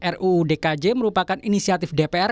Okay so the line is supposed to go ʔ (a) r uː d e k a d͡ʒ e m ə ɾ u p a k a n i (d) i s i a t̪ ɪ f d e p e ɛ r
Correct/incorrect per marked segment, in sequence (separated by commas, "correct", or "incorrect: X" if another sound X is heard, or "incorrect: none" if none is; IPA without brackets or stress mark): incorrect: ɛ, incorrect: n